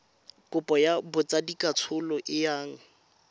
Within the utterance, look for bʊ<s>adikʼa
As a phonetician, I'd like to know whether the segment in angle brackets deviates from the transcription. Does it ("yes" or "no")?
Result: yes